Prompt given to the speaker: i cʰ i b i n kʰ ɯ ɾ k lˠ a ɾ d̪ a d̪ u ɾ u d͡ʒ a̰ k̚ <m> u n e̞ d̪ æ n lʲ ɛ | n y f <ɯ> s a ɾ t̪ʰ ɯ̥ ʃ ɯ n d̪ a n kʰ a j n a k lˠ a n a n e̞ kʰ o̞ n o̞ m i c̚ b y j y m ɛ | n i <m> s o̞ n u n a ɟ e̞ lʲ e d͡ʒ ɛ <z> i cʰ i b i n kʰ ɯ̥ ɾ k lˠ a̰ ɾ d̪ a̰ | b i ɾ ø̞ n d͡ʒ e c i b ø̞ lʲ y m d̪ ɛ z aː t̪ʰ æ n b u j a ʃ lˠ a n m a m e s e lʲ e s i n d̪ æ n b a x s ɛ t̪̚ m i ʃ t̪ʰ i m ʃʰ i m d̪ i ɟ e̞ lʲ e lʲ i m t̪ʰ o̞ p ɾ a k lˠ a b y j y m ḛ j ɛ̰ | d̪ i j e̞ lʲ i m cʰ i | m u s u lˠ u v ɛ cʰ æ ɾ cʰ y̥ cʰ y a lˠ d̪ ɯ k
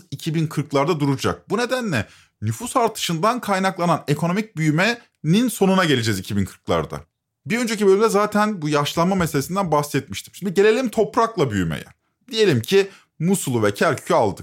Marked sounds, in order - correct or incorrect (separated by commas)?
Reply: incorrect, incorrect, incorrect, correct